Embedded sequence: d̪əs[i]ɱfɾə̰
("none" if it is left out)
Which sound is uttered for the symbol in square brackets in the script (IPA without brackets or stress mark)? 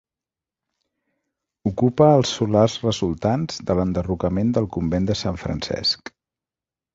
a